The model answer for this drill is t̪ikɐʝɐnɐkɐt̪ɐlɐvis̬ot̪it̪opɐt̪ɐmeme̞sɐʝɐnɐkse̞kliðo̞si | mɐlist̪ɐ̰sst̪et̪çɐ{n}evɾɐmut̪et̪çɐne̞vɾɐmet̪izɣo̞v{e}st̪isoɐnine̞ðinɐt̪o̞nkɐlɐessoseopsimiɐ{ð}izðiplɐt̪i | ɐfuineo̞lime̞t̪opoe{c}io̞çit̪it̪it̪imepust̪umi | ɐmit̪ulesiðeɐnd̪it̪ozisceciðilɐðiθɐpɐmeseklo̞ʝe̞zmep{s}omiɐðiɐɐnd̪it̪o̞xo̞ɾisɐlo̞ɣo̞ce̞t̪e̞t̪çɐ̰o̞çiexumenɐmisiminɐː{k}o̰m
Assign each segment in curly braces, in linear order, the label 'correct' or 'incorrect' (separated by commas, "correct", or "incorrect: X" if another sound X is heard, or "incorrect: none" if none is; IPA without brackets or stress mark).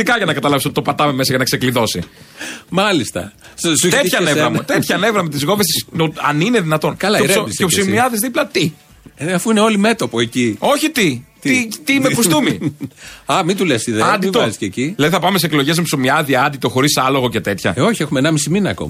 correct, correct, correct, correct, correct, correct